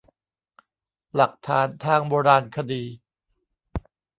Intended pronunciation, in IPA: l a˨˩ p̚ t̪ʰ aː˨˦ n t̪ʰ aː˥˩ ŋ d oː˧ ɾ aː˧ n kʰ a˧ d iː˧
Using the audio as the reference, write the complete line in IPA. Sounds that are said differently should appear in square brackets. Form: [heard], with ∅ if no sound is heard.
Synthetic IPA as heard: l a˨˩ [k̚] t̪ʰ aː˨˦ n t̪ʰ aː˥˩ ŋ [b] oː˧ ɾ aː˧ n kʰ a˧ d iː˧